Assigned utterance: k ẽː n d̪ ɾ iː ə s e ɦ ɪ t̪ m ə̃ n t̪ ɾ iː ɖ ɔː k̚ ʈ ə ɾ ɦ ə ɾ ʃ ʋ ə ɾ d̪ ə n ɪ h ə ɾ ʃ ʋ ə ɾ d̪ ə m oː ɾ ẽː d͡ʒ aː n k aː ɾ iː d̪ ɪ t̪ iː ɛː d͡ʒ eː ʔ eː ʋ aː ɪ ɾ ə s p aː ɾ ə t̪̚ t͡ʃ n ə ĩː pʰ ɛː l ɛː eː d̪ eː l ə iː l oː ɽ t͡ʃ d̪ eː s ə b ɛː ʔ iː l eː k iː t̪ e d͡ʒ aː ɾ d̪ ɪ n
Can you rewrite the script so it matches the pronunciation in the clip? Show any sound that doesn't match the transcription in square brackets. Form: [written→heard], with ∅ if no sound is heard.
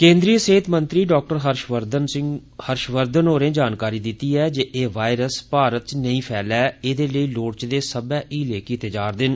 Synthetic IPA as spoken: k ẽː n d̪ ɾ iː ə s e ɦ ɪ t̪ m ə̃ n t̪ ɾ iː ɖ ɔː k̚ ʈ ə ɾ ɦ ə ɾ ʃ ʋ ə ɾ d̪ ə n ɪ h ə ɾ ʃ ʋ ə ɾ d̪ ə [m→n] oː ɾ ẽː d͡ʒ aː n k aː ɾ iː d̪ ɪ t̪ iː ɛː d͡ʒ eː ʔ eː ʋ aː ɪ ɾ ə s p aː ɾ ə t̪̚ t͡ʃ n ə ĩː pʰ ɛː l ɛː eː d̪ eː l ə iː l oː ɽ t͡ʃ d̪ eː s ə b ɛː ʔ iː l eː k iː t̪ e d͡ʒ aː ɾ d̪ ɪ n